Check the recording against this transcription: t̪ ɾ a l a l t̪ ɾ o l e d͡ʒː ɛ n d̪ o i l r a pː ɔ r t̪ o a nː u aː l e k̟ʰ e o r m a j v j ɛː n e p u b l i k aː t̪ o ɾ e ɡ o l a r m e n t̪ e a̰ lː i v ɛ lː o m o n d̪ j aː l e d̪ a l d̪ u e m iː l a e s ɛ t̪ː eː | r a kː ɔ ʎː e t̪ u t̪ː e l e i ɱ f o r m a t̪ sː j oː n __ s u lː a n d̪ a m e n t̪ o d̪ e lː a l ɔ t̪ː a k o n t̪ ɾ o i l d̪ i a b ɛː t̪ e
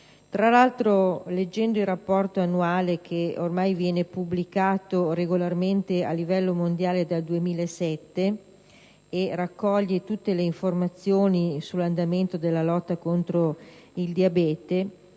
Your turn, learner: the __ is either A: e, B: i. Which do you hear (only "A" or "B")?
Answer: B